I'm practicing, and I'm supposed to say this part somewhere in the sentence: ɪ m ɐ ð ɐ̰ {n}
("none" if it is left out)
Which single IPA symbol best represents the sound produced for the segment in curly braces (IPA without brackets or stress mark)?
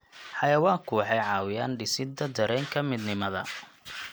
none